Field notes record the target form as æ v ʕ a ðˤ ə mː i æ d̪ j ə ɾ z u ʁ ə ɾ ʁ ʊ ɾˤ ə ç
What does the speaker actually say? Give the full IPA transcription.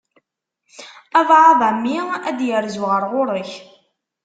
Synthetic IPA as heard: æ v ʕ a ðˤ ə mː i æ d̪ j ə ɾ z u ʁ ə ɾ ʁ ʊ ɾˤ ə ç